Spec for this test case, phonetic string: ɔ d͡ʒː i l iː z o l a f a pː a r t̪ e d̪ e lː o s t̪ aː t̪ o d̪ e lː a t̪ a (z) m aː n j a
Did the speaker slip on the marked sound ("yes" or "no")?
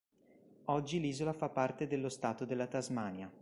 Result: no